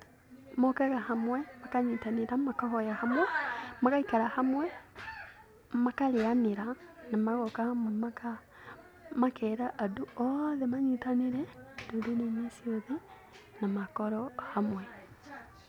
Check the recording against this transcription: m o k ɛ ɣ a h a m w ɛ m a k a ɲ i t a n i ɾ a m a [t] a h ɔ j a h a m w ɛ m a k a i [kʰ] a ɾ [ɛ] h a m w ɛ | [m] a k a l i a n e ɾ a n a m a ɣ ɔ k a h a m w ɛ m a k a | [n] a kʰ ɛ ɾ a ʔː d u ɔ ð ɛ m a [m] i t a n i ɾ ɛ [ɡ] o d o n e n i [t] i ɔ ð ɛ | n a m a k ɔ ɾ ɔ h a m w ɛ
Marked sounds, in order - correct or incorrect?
incorrect, incorrect, incorrect, correct, incorrect, incorrect, incorrect, incorrect

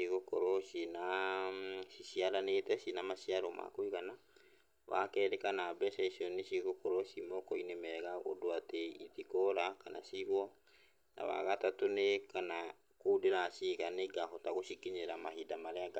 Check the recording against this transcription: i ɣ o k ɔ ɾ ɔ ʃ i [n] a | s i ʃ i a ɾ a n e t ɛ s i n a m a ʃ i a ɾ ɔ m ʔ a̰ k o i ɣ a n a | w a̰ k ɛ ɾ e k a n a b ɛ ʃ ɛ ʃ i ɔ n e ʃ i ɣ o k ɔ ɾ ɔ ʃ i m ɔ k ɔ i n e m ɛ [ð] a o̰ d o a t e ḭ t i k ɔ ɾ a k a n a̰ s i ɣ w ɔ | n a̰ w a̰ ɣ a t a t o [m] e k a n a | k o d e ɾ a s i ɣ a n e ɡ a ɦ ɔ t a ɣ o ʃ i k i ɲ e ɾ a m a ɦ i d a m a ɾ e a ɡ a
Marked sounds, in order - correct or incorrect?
correct, incorrect, incorrect

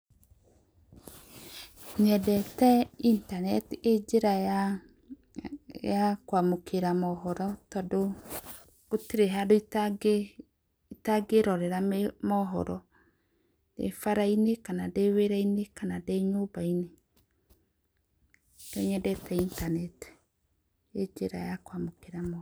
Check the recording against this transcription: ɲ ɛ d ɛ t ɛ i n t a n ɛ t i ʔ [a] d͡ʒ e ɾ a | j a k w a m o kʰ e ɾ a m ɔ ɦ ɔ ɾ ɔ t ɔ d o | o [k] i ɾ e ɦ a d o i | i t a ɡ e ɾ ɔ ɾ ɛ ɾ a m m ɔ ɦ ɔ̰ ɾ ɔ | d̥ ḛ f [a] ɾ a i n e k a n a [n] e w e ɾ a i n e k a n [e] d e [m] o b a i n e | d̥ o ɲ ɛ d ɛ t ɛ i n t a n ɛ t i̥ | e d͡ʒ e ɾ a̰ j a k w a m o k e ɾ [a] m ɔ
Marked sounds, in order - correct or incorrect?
incorrect, incorrect, correct, incorrect, incorrect, incorrect, correct

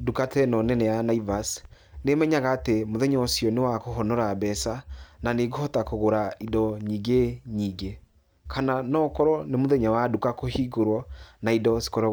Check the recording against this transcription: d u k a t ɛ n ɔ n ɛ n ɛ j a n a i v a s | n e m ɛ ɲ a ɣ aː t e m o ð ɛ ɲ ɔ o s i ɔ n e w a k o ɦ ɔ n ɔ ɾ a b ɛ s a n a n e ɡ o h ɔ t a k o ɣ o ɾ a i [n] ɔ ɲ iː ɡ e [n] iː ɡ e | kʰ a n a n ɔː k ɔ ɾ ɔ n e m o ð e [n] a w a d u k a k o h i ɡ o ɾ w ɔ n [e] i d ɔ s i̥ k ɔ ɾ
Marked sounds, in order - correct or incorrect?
incorrect, incorrect, incorrect, incorrect

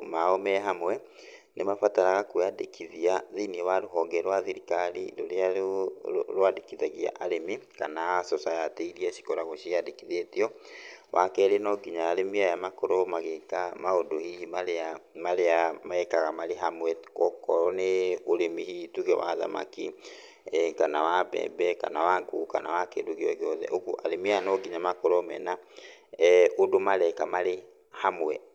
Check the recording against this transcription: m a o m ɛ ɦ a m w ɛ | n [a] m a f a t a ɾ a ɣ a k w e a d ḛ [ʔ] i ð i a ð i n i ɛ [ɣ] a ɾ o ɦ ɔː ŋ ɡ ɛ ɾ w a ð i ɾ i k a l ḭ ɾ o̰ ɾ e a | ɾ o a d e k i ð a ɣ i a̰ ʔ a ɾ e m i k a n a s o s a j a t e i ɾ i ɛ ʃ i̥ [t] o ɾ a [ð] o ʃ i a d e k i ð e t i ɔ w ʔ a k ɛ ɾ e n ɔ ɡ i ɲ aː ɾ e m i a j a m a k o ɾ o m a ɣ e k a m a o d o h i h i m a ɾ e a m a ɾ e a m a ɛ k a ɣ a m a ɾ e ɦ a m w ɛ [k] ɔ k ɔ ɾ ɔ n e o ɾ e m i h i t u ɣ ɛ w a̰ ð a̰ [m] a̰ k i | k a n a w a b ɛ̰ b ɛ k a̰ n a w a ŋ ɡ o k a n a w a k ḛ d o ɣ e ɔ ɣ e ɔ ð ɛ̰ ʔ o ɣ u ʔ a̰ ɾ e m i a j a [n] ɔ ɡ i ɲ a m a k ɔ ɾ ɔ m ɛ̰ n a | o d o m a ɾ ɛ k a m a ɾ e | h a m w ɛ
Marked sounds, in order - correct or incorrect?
incorrect, incorrect, incorrect, incorrect, incorrect, correct, correct, correct

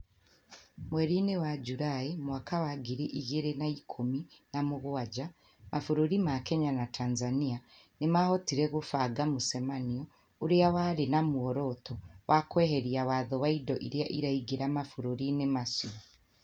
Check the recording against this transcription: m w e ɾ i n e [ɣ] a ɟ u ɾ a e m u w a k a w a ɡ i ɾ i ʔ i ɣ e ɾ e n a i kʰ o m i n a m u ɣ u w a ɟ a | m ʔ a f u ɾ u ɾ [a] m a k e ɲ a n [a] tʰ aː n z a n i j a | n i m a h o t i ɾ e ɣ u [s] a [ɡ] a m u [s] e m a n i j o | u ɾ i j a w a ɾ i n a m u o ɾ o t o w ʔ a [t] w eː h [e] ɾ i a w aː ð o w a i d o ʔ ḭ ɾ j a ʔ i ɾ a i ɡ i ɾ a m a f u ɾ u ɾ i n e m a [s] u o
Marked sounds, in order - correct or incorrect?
incorrect, incorrect, correct, incorrect, correct, correct, incorrect, correct, correct

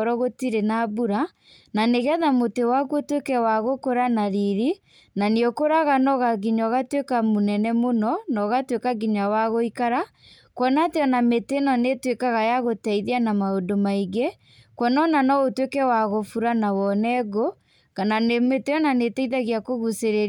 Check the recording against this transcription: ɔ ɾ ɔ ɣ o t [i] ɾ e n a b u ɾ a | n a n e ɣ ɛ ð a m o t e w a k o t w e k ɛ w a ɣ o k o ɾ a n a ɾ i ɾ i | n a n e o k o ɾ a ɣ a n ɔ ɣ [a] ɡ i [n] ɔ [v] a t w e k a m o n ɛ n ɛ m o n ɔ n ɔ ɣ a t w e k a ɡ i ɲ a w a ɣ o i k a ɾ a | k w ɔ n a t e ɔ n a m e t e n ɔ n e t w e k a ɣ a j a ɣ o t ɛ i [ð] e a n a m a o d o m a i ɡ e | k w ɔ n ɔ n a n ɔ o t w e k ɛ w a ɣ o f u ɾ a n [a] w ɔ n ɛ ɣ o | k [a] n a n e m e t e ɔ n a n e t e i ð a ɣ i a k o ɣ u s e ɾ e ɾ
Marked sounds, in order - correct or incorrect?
correct, correct, incorrect, incorrect, correct, correct, correct

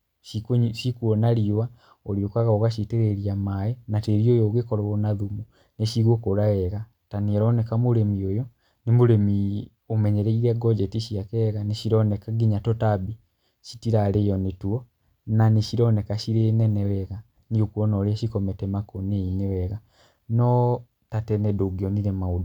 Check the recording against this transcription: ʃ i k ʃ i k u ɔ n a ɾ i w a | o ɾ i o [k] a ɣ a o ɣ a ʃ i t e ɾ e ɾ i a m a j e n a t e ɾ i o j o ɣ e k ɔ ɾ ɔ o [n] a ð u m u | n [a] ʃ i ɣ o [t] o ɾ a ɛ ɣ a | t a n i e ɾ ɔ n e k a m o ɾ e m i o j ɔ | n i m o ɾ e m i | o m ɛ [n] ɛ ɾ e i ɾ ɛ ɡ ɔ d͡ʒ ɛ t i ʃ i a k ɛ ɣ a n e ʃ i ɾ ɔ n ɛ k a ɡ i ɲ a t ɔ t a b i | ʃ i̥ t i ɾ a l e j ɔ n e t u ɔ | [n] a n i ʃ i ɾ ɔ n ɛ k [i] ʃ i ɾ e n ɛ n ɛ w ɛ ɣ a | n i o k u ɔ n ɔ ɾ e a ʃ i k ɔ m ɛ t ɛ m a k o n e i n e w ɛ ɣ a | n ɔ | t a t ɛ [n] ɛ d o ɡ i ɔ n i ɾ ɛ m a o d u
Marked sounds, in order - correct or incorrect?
correct, correct, incorrect, incorrect, incorrect, correct, incorrect, correct

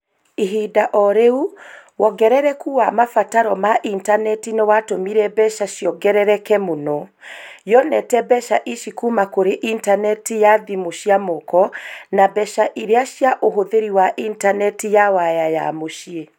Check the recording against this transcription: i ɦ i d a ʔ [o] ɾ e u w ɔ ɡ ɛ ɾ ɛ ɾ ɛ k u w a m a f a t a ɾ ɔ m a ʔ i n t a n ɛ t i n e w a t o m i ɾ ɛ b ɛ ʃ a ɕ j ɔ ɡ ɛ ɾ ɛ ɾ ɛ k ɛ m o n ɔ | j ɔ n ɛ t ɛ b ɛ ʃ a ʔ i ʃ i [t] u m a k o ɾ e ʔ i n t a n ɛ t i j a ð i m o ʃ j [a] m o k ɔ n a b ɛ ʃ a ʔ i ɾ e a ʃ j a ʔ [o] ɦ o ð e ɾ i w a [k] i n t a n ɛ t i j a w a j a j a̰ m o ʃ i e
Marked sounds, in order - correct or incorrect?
incorrect, incorrect, correct, correct, incorrect

